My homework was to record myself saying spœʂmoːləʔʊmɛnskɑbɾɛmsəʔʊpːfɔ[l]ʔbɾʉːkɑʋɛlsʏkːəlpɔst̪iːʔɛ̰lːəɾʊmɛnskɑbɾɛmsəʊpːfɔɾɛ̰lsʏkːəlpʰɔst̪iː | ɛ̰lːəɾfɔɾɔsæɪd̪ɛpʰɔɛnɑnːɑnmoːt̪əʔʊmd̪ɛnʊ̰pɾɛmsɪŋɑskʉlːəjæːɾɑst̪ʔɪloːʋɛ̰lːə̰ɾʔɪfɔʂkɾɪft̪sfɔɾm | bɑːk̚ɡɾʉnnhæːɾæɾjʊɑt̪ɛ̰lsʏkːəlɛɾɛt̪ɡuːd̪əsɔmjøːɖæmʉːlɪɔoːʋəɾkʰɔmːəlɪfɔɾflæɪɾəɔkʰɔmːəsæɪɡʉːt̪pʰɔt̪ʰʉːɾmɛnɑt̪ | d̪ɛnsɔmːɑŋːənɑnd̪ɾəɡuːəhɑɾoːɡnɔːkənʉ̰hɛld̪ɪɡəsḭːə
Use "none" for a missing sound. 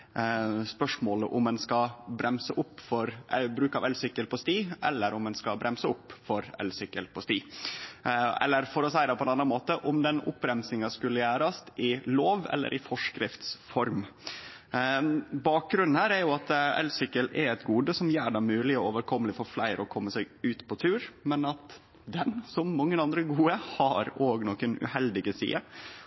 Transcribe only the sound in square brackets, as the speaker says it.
ɾ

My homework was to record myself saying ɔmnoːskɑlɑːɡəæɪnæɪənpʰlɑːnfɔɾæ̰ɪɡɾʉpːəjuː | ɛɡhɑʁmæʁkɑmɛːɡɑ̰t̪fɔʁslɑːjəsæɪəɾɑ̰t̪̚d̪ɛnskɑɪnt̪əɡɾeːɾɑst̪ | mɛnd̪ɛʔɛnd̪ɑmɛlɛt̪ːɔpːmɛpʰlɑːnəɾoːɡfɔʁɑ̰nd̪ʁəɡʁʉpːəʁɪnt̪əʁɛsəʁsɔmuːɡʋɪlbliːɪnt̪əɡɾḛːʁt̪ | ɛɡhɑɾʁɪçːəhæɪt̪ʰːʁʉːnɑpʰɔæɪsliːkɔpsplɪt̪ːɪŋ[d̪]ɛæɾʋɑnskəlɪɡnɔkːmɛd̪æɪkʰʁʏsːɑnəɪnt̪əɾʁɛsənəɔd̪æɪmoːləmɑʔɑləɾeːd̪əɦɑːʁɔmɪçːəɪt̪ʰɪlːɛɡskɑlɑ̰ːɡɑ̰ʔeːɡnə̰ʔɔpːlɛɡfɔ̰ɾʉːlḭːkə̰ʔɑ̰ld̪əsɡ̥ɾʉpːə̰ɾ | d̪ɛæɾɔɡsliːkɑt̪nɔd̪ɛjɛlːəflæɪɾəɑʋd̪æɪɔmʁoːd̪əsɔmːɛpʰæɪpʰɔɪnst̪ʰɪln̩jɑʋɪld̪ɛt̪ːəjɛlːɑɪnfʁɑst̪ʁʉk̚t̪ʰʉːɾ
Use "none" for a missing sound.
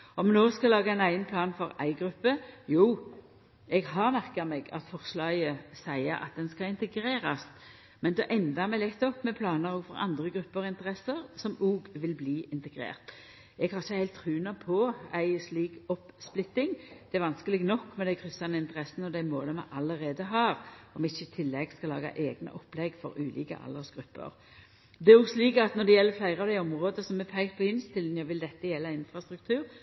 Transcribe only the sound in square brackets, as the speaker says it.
d̪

